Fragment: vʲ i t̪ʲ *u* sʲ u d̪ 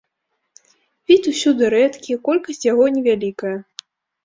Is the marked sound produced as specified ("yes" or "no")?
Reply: yes